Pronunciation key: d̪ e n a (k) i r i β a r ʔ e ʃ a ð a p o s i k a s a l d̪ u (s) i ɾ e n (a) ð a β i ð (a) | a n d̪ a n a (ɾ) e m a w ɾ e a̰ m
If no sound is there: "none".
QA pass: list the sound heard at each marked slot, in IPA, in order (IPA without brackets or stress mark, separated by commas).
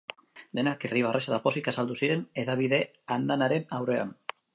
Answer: k, s, e, e, ɾ